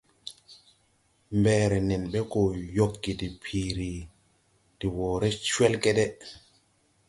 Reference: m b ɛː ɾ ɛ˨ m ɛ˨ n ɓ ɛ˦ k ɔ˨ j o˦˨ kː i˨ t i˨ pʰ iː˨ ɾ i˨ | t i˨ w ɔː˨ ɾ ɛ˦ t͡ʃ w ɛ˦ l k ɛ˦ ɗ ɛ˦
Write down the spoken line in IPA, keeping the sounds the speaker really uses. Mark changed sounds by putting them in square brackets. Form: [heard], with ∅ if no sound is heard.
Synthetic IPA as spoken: m b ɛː ɾ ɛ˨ [n] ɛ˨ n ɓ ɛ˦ k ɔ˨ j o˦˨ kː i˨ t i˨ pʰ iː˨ ɾ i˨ | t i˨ w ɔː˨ ɾ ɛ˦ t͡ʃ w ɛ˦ l k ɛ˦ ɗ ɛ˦

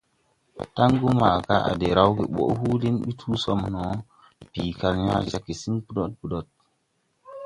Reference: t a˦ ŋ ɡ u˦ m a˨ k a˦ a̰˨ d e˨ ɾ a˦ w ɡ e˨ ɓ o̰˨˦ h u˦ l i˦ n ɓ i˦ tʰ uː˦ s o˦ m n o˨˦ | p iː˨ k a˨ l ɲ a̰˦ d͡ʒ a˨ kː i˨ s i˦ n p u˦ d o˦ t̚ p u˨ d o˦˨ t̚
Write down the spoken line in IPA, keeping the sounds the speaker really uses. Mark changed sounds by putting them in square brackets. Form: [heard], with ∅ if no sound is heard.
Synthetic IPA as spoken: t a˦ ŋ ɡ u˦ m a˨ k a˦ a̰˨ d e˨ ɾ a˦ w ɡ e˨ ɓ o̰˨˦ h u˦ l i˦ n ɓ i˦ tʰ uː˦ s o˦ m n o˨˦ | p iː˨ k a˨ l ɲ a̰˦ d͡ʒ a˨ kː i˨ s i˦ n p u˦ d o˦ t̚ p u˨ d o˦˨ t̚

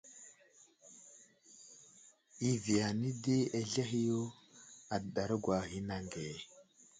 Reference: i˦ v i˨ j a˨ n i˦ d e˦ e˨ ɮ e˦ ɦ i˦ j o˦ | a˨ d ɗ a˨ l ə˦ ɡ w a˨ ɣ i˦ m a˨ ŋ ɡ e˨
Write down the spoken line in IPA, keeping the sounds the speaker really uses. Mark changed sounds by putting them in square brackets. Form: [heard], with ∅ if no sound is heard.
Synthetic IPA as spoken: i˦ v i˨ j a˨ n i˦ d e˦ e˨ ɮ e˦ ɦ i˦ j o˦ | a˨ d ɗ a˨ [ɾ] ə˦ ɡ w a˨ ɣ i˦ [n] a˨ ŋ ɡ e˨

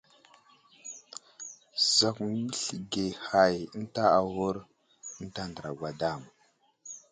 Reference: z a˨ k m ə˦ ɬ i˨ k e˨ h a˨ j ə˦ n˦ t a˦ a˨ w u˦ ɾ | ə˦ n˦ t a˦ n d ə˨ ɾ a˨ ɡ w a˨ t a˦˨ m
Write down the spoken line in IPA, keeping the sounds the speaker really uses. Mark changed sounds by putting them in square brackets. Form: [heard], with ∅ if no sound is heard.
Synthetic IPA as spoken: z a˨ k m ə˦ ɬ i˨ [ɡ] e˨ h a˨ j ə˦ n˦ t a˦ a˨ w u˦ ɾ | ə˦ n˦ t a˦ n d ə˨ ɾ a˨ ɡ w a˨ [d] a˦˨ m

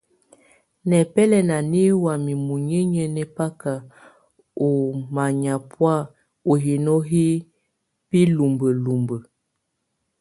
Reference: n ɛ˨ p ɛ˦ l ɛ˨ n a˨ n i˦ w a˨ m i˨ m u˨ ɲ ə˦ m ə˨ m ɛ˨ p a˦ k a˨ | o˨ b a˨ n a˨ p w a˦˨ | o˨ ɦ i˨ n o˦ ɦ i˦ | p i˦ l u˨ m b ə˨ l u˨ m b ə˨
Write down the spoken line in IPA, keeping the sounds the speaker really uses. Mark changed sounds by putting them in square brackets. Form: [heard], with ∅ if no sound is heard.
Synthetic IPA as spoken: n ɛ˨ p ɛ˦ l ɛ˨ n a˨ n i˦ w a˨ m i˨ m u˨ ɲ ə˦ [ɲ] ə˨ [n] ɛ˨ p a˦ k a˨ | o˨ [m] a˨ [ɲ] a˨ p w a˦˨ | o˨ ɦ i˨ n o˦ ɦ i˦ | p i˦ l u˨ m b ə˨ l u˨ m b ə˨

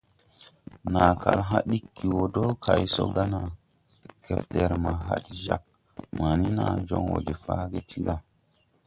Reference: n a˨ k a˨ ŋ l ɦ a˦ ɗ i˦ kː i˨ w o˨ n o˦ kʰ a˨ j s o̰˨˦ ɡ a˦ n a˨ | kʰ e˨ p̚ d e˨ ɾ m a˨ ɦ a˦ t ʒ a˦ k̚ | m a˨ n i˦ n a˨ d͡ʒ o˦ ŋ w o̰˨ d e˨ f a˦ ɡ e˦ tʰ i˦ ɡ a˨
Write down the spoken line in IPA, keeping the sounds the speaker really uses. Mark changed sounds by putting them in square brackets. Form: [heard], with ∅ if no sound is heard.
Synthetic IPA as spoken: n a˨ k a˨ [∅] l ɦ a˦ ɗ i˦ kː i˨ w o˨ [d] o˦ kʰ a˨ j s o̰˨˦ ɡ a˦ n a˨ | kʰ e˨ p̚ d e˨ ɾ m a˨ ɦ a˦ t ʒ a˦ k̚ | m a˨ n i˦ n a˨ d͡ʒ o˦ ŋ w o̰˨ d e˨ f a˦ ɡ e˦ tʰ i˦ ɡ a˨

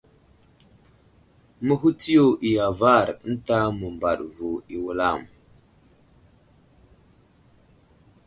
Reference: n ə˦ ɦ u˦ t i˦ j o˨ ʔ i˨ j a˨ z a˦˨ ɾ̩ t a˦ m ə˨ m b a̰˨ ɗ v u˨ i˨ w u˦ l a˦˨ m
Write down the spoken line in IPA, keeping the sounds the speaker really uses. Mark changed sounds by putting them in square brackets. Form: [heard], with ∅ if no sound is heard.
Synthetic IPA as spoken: [m] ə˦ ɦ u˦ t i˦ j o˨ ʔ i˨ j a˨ [v] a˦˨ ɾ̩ t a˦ m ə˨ m b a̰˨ ɗ v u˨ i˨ w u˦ l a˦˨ m

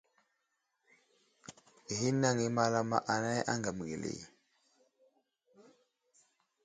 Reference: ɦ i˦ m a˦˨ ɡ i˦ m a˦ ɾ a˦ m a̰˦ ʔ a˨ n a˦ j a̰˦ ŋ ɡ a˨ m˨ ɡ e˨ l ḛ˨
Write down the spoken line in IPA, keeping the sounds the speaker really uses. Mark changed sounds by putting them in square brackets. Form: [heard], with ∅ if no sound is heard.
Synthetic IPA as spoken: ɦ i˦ [n] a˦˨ [ŋ] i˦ m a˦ [l] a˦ m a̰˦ ʔ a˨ n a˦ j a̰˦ ŋ ɡ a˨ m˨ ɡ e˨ l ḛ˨

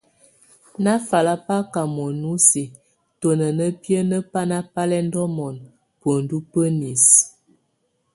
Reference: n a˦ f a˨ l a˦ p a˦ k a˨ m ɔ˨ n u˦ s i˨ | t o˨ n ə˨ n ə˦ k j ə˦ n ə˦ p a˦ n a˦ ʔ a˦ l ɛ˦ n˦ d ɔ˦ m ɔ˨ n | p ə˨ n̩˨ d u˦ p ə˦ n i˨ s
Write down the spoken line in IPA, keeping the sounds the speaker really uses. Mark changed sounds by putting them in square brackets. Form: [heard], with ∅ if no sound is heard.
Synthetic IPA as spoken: n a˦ f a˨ l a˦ p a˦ k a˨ m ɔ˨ n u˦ s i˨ | t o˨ n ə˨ n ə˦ [p] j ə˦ n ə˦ p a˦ n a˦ [p] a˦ l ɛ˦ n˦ d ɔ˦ m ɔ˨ n | p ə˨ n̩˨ d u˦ p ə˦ n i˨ s

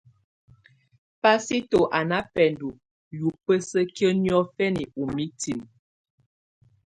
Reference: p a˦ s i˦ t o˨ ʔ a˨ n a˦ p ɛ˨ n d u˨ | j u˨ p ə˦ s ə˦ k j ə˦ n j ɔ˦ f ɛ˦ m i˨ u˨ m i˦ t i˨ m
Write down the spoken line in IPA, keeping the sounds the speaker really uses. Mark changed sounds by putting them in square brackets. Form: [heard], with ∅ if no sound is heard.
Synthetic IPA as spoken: p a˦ s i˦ t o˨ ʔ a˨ n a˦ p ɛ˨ n d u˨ | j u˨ p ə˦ s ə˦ k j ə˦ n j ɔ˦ f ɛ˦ [n] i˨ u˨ m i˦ t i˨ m

